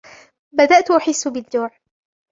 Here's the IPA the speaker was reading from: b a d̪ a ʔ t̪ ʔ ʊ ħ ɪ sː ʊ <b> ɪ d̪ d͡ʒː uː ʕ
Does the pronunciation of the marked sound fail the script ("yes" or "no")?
no